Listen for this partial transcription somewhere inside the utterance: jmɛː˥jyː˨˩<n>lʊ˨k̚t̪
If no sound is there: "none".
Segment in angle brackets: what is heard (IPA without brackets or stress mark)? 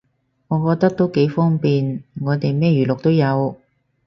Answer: none